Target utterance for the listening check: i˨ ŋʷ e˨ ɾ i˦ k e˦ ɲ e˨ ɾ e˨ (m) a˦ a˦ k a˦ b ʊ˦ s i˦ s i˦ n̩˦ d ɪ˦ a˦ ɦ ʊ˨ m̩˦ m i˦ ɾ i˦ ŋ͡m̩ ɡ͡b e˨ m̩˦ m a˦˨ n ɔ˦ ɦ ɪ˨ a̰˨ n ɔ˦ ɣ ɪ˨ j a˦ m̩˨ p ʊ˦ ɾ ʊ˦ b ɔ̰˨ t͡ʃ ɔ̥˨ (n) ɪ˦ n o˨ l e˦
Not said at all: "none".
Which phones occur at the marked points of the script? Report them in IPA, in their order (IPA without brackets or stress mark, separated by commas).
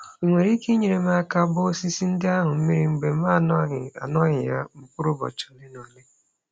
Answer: m, n